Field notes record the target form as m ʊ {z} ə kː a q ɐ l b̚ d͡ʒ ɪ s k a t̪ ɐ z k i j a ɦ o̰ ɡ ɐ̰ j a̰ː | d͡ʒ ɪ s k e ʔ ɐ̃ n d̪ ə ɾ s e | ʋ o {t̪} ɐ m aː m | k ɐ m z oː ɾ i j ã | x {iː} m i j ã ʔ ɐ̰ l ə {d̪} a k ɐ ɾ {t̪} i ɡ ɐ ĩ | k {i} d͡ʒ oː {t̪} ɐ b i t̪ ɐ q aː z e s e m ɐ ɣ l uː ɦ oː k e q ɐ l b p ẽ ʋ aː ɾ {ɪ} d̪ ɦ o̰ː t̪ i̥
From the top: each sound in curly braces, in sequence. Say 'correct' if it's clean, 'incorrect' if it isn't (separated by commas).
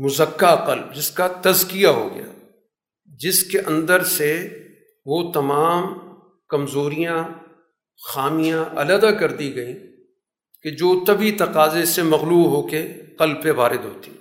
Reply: correct, correct, incorrect, correct, incorrect, incorrect, correct, correct